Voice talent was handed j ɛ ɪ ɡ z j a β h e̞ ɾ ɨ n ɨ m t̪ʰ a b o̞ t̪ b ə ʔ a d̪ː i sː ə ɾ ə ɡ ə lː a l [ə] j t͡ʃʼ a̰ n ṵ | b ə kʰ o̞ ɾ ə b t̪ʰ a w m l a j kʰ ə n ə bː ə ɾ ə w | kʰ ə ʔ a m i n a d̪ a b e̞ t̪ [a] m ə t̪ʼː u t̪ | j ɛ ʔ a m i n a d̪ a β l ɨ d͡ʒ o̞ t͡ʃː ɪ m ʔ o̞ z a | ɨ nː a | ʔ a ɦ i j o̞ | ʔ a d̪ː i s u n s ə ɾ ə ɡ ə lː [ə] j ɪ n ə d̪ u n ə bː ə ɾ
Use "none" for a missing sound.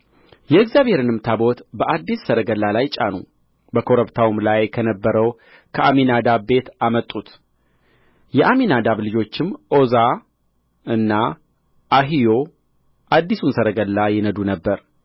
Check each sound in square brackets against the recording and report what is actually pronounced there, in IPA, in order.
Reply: a, a, a

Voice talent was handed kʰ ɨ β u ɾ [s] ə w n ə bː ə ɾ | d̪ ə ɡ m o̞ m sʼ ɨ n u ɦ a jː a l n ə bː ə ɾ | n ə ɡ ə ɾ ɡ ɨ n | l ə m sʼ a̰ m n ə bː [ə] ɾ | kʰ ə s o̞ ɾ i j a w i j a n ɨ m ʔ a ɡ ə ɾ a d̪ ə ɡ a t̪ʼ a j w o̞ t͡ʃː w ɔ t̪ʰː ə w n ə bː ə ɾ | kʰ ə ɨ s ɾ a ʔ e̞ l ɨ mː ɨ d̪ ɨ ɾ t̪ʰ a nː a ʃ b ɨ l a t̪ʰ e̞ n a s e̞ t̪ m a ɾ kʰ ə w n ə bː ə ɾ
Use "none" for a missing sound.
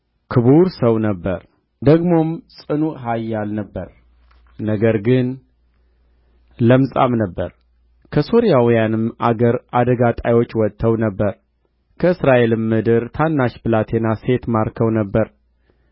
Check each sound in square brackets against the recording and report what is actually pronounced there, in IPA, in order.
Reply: s, ə

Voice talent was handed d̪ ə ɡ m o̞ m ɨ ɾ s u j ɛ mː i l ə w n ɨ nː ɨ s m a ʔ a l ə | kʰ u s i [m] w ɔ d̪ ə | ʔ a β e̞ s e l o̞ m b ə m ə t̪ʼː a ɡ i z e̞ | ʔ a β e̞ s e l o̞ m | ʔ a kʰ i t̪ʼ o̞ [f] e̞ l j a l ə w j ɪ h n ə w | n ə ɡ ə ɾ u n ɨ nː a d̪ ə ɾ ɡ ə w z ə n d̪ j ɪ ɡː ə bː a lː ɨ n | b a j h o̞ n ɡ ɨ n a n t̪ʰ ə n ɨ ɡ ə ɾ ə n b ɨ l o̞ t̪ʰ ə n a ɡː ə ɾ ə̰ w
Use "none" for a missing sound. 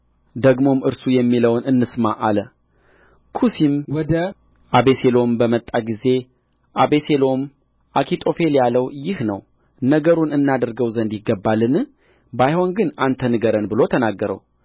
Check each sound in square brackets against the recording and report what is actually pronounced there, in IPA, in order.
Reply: m, f

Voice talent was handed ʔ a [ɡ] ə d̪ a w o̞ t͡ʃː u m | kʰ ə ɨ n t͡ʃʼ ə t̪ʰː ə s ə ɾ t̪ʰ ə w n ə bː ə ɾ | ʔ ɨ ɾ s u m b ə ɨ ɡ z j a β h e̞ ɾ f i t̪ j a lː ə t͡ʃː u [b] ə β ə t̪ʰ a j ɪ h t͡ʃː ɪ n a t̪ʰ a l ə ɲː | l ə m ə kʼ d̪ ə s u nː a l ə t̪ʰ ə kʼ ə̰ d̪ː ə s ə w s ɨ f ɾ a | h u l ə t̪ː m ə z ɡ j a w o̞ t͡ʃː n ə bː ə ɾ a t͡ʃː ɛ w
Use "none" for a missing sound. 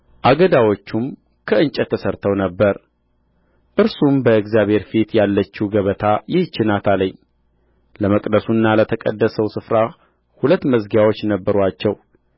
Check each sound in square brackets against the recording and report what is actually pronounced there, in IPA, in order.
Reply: ɡ, ɡ

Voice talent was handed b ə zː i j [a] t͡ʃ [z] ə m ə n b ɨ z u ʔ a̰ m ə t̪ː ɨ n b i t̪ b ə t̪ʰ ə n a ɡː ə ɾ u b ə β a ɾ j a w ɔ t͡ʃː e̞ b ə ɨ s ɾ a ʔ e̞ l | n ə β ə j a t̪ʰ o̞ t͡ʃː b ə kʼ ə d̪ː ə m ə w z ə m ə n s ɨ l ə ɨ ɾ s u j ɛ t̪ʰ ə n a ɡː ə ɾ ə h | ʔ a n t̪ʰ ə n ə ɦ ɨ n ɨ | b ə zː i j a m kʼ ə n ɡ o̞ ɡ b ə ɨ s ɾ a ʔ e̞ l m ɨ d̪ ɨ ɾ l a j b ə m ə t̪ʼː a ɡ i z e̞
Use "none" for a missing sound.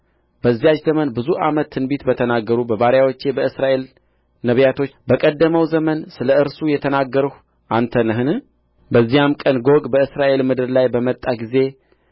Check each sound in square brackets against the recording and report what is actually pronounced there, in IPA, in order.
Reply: a, z

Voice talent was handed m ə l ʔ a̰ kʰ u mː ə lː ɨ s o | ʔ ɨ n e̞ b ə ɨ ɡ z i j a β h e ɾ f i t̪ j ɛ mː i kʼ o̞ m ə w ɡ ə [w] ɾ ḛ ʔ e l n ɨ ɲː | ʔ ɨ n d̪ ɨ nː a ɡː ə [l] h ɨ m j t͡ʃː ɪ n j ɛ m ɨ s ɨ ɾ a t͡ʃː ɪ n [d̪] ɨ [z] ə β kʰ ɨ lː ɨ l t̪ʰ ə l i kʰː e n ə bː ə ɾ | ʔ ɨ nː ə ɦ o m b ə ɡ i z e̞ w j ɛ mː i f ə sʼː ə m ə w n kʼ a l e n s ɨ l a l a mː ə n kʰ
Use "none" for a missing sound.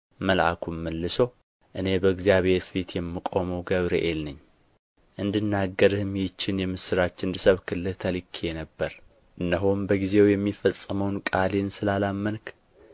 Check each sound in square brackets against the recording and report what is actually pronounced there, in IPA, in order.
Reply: β, ɾ, d̪, s

